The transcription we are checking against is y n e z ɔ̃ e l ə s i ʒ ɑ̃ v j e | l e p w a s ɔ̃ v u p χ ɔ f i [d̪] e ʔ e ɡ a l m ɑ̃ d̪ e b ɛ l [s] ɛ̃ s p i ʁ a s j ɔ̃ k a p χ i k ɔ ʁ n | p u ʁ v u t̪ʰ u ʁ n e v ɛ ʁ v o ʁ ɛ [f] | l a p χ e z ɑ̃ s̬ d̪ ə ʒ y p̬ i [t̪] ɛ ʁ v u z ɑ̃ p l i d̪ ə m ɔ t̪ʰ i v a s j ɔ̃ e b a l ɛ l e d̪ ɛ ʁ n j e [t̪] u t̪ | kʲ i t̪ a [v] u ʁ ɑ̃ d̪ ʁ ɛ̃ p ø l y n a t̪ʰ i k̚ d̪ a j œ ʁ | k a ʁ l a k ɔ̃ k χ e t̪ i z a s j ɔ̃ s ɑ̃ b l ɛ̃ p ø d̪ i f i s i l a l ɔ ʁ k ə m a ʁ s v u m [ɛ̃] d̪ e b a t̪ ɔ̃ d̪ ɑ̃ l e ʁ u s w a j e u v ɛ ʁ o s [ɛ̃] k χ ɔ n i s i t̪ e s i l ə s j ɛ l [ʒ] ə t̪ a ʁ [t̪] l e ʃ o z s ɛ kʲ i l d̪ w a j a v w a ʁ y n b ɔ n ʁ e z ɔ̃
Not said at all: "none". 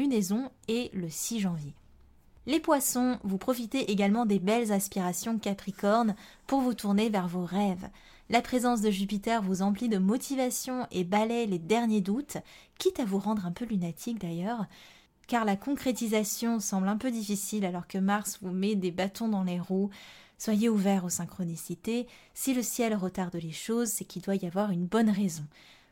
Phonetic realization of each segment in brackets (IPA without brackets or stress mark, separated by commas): t̪, z, v, t̪, d̪, v, ɛ, ɛ̃, ʁ, d̪